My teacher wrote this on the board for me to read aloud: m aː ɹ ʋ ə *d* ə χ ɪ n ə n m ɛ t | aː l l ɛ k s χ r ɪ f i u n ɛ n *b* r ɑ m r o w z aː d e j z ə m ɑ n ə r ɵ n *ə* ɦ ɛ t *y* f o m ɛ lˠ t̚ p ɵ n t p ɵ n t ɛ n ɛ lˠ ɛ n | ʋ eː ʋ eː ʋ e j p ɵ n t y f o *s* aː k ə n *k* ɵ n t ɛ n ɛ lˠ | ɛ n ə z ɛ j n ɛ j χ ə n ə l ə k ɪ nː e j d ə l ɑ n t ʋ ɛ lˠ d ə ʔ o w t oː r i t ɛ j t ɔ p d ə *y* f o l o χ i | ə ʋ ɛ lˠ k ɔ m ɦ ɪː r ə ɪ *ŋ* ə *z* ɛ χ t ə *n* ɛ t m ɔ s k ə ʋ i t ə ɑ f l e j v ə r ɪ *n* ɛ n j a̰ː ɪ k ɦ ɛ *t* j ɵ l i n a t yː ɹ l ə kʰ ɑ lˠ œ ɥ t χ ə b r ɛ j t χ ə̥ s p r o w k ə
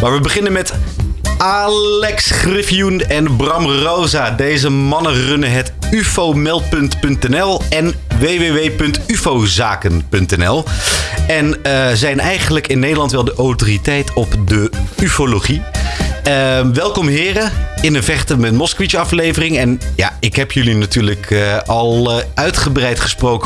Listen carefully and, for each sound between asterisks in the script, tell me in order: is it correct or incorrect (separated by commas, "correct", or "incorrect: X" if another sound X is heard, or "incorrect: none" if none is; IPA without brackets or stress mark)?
incorrect: b, correct, correct, correct, incorrect: z, incorrect: p, correct, incorrect: n, incorrect: v, incorrect: m, incorrect: ŋ, incorrect: p